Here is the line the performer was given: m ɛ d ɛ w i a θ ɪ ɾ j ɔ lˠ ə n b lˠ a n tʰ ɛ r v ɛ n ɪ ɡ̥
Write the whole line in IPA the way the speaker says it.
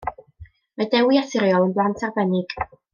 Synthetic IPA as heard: m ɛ d ɛ w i a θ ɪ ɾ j ɔ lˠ ə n b lˠ a n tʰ a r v ɛ n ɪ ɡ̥